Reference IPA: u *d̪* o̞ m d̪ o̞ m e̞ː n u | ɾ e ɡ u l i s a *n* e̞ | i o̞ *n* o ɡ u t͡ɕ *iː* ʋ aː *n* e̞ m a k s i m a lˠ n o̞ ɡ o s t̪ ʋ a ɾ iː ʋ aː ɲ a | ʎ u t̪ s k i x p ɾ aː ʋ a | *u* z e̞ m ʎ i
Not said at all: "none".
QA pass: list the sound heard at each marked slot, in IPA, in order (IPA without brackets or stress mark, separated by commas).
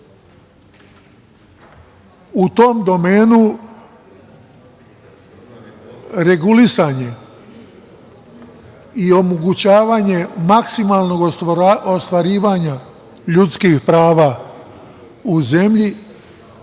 t̪, ɲ, m, aː, ɲ, u